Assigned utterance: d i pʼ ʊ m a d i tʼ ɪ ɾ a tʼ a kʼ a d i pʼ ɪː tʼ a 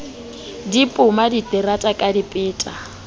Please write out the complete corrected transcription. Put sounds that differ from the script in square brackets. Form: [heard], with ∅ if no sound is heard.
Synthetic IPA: d i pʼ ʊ m a d i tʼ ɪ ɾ a tʼ a kʼ a d i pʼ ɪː tʼ a